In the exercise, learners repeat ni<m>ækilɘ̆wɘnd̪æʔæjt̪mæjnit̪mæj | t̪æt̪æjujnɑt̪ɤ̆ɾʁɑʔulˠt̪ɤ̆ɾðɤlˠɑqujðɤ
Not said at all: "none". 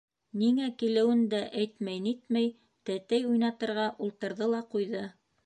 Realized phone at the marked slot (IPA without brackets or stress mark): ŋ